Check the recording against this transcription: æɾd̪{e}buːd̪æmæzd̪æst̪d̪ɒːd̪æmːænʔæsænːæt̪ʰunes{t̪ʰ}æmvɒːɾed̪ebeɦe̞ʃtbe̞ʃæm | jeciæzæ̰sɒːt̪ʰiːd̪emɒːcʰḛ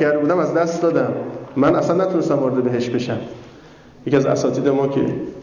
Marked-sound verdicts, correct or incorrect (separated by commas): correct, incorrect